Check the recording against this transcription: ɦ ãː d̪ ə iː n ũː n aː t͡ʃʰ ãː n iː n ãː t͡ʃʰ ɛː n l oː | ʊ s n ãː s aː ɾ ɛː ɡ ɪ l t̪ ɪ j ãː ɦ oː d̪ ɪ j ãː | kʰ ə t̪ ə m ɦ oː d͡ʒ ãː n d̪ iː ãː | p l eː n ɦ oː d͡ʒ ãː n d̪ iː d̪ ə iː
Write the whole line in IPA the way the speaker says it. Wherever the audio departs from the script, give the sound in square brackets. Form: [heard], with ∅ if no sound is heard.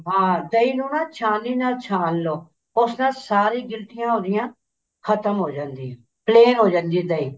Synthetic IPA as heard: ɦ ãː d̪ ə iː n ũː n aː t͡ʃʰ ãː n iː n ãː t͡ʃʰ [aː] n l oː | ʊ s n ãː s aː ɾ [iː] ɡ ɪ l t̪ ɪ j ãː ɦ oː d̪ ɪ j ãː | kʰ ə t̪ ə m ɦ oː d͡ʒ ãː n d̪ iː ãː | p l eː n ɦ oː d͡ʒ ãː n d̪ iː d̪ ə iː

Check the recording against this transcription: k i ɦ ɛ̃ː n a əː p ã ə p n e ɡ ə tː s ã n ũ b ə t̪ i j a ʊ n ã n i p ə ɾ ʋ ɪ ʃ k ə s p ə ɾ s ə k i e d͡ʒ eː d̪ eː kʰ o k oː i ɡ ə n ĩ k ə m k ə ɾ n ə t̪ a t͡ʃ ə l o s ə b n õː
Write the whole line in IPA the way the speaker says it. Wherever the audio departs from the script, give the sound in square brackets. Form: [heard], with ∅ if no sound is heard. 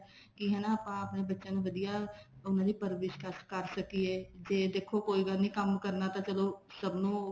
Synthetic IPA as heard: k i ɦ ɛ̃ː n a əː p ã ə p n e [b] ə tː [ʃ] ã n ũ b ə [d̪] i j a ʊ n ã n i p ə ɾ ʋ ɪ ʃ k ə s [k] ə ɾ s ə k i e d͡ʒ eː d̪ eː kʰ o k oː i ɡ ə n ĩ k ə m k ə ɾ n [a] t̪ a t͡ʃ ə l o s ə b n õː

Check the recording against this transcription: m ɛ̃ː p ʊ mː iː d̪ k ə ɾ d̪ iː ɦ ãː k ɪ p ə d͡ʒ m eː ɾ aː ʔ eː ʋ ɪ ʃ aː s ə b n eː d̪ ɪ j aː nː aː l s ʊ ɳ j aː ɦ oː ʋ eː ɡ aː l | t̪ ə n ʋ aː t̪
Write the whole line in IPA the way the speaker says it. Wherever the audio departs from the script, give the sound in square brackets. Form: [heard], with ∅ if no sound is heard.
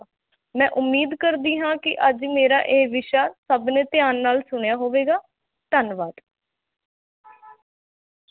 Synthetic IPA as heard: m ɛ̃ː [ʔ] ʊ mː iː d̪ k ə ɾ d̪ iː ɦ ãː k ɪ [ʔ] ə d͡ʒ m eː ɾ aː ʔ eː ʋ ɪ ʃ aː s ə b n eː [t̪] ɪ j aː nː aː l s ʊ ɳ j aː ɦ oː ʋ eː ɡ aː [∅] | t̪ ə n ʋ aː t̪

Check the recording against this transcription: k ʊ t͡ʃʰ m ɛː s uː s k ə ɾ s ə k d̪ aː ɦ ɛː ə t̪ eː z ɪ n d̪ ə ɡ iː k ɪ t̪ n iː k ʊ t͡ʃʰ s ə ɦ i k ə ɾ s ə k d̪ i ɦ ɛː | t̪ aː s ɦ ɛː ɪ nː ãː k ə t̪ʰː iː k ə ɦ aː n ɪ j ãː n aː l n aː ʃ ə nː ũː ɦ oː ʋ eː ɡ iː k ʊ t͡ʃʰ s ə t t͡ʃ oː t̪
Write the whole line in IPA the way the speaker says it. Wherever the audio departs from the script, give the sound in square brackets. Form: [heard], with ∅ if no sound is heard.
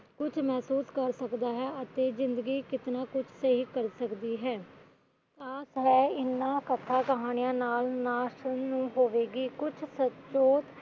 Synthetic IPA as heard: k ʊ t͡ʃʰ m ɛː s uː s k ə ɾ s ə k d̪ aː ɦ ɛː ə t̪ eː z ɪ n d̪ ə ɡ iː k ɪ t̪ n [aː] k ʊ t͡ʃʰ s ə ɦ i k ə ɾ s ə k d̪ [iː] ɦ ɛː | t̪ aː s ɦ ɛː ɪ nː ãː k ə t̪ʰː [aː] k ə ɦ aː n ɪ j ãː n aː l n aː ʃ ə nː ũː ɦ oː ʋ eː ɡ iː k ʊ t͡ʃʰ s ə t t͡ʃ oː t̪

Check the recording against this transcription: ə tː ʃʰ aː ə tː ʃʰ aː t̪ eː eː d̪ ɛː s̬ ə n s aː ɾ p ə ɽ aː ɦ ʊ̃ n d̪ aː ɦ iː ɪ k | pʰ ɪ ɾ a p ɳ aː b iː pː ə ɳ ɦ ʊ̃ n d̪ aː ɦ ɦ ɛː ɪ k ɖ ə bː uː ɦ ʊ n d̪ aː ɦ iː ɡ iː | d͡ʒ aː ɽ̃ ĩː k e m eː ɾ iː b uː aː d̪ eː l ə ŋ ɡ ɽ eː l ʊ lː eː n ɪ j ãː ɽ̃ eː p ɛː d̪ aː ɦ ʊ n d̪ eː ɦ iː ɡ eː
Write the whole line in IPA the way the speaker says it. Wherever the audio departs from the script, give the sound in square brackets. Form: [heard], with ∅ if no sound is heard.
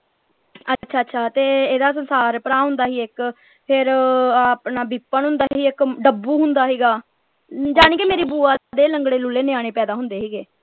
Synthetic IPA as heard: ə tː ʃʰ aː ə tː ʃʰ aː t̪ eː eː d̪ [aː] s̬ ə n s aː ɾ p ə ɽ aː ɦ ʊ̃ n d̪ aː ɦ iː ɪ k | pʰ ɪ ɾ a p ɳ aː b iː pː ə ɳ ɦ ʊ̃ n d̪ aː ɦ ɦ [iː] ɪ k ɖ ə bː uː ɦ ʊ n d̪ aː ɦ iː ɡ [aː] | d͡ʒ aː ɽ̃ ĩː k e m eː ɾ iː b uː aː d̪ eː l ə ŋ ɡ ɽ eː l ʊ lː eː n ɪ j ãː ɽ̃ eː p ɛː d̪ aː ɦ ʊ n d̪ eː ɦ iː ɡ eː

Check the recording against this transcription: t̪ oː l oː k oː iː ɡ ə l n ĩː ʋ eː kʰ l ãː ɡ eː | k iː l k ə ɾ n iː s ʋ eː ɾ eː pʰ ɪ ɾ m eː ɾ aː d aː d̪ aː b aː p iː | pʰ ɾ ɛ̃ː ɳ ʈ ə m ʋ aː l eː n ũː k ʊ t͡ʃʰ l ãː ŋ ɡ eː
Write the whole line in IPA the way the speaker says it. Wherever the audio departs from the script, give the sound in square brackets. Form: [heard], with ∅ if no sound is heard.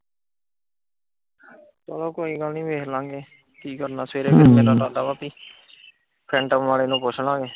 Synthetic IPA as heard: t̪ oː l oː k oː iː ɡ ə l n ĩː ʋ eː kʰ l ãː ɡ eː | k iː [∅] k ə ɾ n [aː] s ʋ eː ɾ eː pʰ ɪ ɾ m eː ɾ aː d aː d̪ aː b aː p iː | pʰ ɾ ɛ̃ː ɳ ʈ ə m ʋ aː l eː n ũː [p] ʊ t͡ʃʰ l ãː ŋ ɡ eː

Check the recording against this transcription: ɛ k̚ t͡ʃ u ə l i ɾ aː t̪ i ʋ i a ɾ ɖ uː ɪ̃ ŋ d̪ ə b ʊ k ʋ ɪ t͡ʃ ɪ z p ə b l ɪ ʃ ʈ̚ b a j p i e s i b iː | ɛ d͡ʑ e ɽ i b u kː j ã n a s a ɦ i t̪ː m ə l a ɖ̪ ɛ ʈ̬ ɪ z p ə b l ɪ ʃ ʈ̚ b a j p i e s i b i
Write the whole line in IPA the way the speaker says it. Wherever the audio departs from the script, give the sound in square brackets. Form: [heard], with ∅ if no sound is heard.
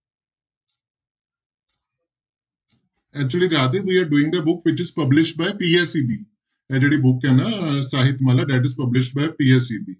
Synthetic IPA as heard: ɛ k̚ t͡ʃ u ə l i ɾ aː t̪ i ʋ i a ɾ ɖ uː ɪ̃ ŋ d̪ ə b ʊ k ʋ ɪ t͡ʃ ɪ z p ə b l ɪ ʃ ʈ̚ b a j p i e s i b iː | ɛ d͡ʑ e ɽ i b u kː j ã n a s a ɦ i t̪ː m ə l a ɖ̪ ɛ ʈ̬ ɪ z p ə b l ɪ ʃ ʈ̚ b a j p i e s i b i

